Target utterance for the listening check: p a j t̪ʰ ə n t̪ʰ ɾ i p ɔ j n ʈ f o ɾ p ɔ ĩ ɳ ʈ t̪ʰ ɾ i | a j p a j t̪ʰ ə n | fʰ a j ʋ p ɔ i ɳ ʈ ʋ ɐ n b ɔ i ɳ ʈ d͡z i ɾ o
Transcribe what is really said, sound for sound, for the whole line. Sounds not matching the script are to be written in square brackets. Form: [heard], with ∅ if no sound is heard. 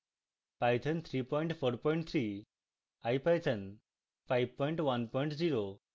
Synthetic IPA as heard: p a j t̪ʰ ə n t̪ʰ ɾ i p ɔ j [ɳ] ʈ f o ɾ p ɔ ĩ ɳ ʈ t̪ʰ ɾ i | a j p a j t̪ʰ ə n | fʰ a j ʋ p ɔ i ɳ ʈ ʋ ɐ n [p] ɔ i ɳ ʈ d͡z i ɾ o